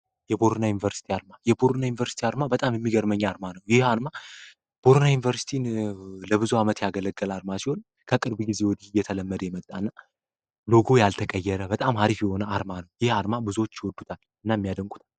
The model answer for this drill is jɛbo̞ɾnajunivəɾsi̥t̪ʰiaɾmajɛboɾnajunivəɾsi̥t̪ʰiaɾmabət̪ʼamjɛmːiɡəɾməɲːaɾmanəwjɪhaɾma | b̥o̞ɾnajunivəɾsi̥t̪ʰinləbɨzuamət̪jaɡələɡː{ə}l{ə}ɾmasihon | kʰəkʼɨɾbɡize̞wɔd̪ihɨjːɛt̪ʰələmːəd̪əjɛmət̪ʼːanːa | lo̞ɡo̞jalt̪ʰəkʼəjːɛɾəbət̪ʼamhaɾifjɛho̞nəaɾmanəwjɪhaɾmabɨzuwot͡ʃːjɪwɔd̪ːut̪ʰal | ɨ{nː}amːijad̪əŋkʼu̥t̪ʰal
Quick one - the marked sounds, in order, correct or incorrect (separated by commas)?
correct, incorrect, correct